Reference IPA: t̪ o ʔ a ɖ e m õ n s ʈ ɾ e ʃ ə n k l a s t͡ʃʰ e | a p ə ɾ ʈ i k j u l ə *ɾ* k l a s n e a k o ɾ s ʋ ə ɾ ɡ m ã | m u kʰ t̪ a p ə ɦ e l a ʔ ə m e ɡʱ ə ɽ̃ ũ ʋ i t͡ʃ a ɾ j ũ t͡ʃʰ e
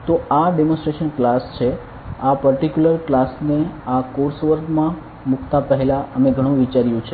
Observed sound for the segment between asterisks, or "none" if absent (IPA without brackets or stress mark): ɾ